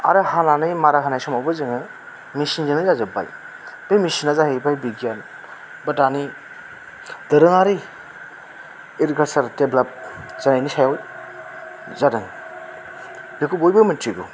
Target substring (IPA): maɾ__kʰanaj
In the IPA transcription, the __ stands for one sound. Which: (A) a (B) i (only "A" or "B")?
A